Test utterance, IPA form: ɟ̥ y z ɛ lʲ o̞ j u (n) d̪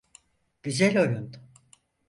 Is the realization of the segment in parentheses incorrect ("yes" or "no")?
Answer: no